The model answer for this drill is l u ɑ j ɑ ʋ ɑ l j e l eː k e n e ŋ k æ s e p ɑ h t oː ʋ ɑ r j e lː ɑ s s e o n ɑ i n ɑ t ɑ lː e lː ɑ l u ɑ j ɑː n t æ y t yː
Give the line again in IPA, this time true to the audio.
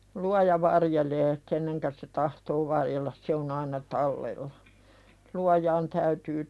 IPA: l u ɑ j ɑ ʋ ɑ r j e l eː k e nː e ŋ k æ s e t ɑ h t oː ʋ ɑ r j e lː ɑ s s e o n ɑ i n ɑ t ɑ lː e lː ɑ l u ɑ j ɑː n t æ y t yː